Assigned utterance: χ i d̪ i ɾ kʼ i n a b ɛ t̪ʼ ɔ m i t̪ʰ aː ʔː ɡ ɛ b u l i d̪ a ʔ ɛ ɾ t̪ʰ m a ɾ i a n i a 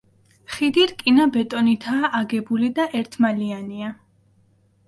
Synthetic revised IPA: χ i d̪ i ɾ kʼ i n a b ɛ t̪ʼ ɔ n i t̪ʰ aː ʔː ɡ ɛ b u l i d̪ a ʔ ɛ ɾ t̪ʰ m a l i a n i a